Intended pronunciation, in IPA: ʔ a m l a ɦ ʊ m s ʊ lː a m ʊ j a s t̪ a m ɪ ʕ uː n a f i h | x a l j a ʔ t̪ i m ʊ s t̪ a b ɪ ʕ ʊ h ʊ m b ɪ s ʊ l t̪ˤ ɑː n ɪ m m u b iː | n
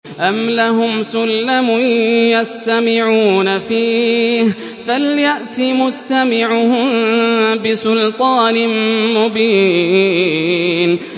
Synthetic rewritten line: ʔ a m l a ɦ ʊ m s ʊ lː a m ʊ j a s t̪ a m ɪ ʕ uː n a f iː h | f a l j a ʔ t̪ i m ʊ s t̪ a m ɪ ʕ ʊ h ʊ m b ɪ s ʊ l t̪ˤ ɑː n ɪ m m ʊ b iː | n

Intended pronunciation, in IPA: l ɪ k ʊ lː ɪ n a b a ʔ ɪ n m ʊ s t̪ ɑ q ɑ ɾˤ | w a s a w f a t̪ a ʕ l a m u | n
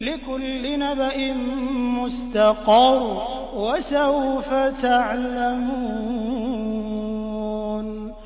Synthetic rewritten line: l ɪ k ʊ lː ɪ n a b a ʔ ɪ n m ʊ s t̪ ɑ q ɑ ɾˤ | w a s a w f a t̪ a ʕ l a m u | n

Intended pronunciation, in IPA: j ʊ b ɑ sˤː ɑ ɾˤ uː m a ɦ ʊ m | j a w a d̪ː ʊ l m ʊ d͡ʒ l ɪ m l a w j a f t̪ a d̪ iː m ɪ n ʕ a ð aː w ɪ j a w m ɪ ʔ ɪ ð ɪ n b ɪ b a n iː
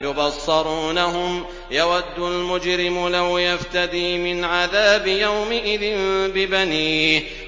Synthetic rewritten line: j ʊ b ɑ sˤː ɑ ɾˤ uː n a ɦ ʊ m | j a w a d̪ː ʊ l m ʊ d͡ʒ ɾ ɪ m l a w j a f t̪ a d̪ iː m ɪ n ʕ a ð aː b ɪ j a w m ɪ ʔ ɪ ð ɪ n b ɪ b a n iː

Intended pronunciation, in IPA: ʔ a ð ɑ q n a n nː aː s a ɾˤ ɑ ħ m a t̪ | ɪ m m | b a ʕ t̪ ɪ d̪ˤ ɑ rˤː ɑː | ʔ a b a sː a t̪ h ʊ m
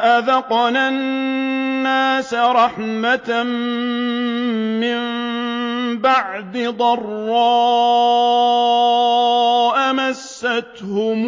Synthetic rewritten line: ʔ a ð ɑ q n a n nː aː s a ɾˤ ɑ ħ m a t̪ | ɪ m m | b a ʕ d̪ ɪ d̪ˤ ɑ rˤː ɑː | ʔ a m a sː a t̪ h ʊ m

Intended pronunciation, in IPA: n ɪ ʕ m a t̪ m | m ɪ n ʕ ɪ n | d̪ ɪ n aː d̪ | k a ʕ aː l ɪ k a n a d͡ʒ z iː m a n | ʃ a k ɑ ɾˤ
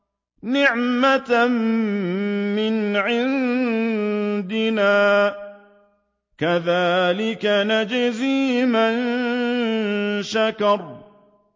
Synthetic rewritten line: n ɪ ʕ m a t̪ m | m ɪ n ʕ ɪ n | d̪ ɪ n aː | k a ð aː l ɪ k a n a d͡ʒ z iː m a n | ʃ a k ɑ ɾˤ

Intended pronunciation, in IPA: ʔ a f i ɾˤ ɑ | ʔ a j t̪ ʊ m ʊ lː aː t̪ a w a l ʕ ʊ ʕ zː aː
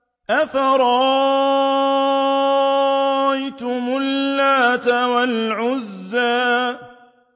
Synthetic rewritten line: ʔ a f a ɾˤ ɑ | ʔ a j t̪ ʊ m ʊ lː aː t̪ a w a l ʕ ʊ zː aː

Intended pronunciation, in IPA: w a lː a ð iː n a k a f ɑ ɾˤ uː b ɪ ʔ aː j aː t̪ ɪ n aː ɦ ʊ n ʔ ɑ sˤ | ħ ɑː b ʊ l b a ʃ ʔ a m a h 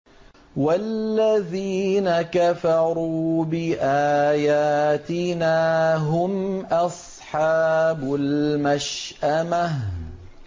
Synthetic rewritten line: w a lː a ð iː n a k a f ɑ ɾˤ uː b ɪ ʔ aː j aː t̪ ɪ n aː ɦ ʊ m ʔ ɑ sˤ | ħ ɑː b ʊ l m a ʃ ʔ a m a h

